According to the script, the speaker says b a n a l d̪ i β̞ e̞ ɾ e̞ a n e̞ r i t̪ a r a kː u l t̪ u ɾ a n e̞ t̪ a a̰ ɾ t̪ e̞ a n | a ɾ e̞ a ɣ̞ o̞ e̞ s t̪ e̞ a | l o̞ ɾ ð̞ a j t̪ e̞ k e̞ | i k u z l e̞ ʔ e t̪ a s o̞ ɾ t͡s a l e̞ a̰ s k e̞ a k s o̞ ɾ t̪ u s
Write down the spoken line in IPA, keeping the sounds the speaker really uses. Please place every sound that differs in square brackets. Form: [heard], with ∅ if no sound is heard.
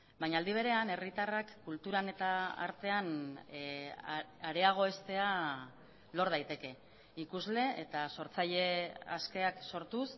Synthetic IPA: b a [ɲ] a l d̪ i β̞ e̞ ɾ e̞ a n e̞ r i t̪ a r a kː u l t̪ u ɾ a n e̞ t̪ a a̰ ɾ t̪ e̞ a n | a ɾ e̞ a ɣ̞ o̞ e̞ s t̪ e̞ a | l o̞ ɾ ð̞ a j t̪ e̞ k e̞ | i k u z l e̞ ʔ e t̪ a s o̞ ɾ t͡s a [ʎ] e̞ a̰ s k e̞ a k s o̞ ɾ t̪ u s